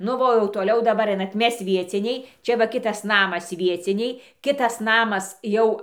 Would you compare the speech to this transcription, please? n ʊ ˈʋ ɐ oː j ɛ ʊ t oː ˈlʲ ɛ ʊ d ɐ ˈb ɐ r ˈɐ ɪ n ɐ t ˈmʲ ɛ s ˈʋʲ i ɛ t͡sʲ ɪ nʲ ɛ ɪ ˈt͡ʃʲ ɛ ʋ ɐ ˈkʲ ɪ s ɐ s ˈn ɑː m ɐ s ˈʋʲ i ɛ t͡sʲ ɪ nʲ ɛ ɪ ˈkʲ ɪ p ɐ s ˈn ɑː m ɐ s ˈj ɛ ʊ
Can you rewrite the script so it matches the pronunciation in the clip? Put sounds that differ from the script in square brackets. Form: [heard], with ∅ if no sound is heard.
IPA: n ʊ ˈʋ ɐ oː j ɛ ʊ t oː ˈlʲ ɛ ʊ d ɐ ˈb ɐ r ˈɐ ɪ n ɐ t ˈmʲ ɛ s ˈʋʲ i ɛ t͡sʲ ɪ nʲ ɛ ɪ ˈt͡ʃʲ ɛ ʋ ɐ ˈkʲ ɪ [t] ɐ s ˈn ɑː m ɐ s ˈʋʲ i ɛ t͡sʲ ɪ nʲ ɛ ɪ ˈkʲ ɪ [t] ɐ s ˈn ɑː m ɐ s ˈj ɛ ʊ